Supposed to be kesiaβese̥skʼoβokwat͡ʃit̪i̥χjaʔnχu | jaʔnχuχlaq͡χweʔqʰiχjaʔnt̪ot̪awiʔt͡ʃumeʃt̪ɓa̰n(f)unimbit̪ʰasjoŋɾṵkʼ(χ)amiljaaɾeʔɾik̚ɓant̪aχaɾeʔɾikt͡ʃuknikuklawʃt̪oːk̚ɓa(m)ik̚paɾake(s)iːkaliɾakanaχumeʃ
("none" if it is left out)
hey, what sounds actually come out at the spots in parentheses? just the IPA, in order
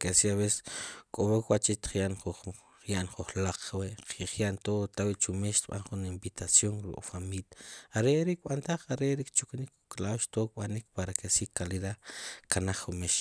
χ, f, n, s

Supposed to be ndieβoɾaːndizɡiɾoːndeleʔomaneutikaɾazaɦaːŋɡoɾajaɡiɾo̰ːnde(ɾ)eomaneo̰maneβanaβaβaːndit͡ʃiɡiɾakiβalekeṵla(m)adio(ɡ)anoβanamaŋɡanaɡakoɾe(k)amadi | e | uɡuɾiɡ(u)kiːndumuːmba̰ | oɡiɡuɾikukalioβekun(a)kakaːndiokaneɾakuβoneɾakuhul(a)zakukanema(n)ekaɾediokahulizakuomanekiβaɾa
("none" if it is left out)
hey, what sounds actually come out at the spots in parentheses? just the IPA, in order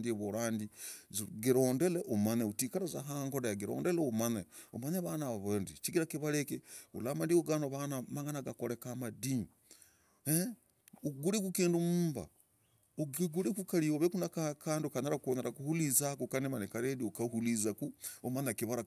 l, m, ɡ, k, u, a, i, n

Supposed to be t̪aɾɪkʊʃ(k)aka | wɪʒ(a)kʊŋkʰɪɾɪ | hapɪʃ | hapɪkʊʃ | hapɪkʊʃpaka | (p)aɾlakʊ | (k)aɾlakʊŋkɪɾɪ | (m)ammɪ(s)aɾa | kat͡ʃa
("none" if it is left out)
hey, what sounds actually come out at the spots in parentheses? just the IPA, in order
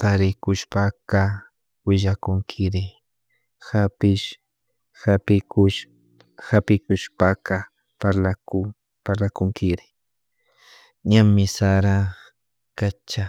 p, a, p, p, ɲ, s

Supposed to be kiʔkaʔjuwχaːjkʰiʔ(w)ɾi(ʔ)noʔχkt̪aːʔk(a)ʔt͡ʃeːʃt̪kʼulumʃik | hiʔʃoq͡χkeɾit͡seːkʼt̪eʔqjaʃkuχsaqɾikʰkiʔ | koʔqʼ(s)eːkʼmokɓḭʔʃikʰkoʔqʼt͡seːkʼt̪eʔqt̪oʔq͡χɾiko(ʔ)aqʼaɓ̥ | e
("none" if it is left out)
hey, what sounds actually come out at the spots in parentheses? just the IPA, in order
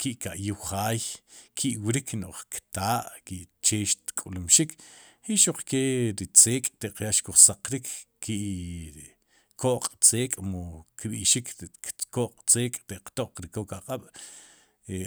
w, k, i, t͡s, k

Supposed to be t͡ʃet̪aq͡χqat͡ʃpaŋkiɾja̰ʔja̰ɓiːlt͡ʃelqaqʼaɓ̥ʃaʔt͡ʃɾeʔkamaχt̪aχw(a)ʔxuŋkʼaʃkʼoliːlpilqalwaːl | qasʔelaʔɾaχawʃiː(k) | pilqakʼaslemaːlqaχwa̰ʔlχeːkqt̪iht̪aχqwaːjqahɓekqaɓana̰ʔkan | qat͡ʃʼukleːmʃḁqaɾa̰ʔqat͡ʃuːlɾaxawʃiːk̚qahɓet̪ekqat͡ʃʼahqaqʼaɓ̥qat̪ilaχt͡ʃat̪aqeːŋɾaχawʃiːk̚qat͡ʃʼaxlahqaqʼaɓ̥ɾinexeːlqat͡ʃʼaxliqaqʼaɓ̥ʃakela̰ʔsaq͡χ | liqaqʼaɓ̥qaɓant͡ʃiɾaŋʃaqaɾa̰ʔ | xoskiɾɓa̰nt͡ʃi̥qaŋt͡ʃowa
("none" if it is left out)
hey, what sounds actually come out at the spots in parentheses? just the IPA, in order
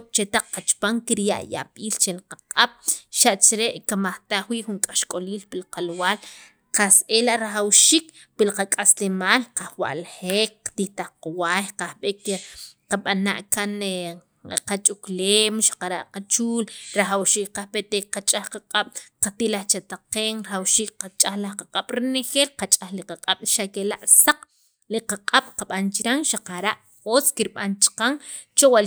i, k

